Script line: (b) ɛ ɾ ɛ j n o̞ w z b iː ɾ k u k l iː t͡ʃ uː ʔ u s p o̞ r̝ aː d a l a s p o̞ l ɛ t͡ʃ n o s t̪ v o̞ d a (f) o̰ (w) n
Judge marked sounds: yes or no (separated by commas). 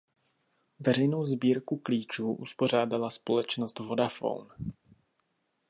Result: no, yes, yes